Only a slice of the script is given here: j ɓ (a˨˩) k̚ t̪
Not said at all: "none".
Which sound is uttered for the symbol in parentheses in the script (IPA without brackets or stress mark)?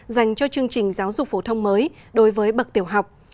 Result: ə˨˩